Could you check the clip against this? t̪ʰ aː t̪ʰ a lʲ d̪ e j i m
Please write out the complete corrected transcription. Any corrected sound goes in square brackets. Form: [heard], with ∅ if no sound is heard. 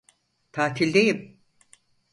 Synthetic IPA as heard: t̪ʰ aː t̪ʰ [i] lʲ d̪ e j i m